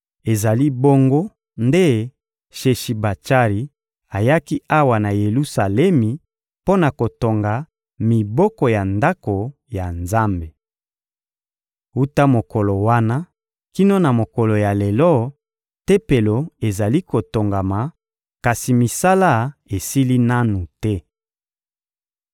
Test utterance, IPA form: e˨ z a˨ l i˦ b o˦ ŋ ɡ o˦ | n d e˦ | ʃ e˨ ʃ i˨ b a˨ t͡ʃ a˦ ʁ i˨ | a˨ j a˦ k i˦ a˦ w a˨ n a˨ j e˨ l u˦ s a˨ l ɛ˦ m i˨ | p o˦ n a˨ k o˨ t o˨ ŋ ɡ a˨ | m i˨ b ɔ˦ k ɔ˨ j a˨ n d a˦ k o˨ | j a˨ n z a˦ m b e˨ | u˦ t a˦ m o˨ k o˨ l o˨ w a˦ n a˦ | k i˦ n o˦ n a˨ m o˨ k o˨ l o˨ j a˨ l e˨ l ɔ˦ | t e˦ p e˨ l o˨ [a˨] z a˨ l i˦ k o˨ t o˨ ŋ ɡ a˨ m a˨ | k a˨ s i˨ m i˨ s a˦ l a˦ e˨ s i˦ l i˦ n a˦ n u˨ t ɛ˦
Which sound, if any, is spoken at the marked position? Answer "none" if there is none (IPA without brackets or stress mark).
e˨